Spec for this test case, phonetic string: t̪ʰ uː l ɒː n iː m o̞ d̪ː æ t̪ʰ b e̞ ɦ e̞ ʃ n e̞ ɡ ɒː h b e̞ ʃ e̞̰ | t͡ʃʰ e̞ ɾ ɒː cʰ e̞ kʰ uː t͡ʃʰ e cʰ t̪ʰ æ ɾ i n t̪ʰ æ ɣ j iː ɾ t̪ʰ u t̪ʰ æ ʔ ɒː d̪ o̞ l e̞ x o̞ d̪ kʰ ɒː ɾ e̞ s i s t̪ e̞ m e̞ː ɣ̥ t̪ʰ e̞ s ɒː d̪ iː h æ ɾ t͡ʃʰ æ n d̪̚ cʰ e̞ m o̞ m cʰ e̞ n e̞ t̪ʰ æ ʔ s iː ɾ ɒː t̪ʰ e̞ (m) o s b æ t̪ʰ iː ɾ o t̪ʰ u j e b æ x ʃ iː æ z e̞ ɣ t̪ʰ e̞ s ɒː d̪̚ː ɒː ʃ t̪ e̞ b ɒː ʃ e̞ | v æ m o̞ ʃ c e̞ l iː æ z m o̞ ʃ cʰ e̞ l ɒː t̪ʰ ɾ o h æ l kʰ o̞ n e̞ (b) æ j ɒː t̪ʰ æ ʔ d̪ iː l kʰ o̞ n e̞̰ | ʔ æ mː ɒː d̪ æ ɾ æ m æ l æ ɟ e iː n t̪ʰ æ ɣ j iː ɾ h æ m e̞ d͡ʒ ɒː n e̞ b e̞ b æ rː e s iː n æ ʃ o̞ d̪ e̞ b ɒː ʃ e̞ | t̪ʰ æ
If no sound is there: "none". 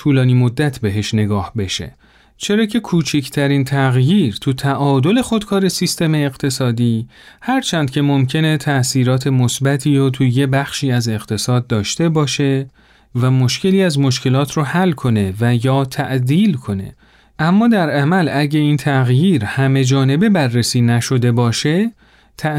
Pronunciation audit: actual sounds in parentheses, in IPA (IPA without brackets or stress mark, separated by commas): m, v